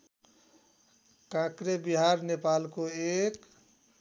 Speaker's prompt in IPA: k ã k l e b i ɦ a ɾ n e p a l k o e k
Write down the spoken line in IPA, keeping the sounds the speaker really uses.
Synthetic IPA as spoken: k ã k ɾ e b i ɦ a ɾ n e p a l k o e k